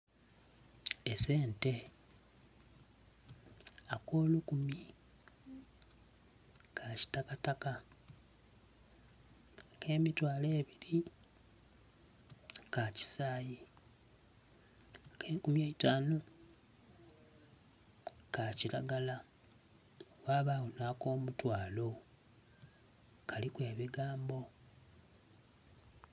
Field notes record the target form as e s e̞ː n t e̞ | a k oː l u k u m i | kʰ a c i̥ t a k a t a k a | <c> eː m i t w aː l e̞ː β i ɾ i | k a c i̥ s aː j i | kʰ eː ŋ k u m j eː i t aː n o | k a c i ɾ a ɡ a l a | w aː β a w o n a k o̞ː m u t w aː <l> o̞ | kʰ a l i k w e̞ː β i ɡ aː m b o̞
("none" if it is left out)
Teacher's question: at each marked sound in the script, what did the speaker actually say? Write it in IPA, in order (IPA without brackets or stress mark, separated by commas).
k, l